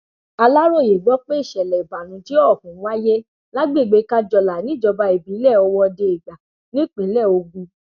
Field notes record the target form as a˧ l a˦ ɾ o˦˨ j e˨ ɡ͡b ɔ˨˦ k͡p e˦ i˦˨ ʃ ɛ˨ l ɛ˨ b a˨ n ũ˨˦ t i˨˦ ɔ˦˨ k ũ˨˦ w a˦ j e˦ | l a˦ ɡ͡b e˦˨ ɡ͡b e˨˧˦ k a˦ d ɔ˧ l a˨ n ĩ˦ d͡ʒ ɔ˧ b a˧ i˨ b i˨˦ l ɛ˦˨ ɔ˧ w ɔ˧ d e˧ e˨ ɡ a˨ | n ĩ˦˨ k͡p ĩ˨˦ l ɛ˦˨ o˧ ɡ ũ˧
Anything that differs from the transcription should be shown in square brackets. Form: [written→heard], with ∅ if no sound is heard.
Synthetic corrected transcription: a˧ l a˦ ɾ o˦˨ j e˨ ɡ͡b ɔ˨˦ k͡p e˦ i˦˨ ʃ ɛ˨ l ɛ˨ b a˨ n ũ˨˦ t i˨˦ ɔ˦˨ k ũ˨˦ w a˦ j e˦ | l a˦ ɡ͡b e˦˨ ɡ͡b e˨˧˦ k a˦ [d→d͡ʒ] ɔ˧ l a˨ n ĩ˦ d͡ʒ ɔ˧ b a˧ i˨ b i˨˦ l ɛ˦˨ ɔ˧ w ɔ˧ d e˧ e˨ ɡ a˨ | n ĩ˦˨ k͡p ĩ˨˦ l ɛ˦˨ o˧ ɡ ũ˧